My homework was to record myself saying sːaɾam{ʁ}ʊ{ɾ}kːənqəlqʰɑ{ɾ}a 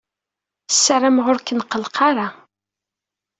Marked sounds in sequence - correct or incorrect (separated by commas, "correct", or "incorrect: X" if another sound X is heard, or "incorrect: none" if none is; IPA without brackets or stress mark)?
correct, correct, correct